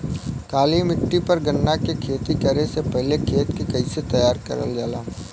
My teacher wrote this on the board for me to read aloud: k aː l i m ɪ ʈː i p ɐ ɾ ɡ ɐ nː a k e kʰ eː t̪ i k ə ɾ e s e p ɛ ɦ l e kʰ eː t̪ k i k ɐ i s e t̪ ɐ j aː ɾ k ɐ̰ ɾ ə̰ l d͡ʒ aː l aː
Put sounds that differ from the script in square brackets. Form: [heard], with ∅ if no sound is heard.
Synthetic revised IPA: k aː l i m ɪ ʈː i p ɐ ɾ ɡ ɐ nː a k e kʰ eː t̪ i k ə ɾ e s e p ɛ ɦ l e kʰ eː t̪ k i k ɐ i s e t̪ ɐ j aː ɾ k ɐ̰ ɾ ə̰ l d͡ʒ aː l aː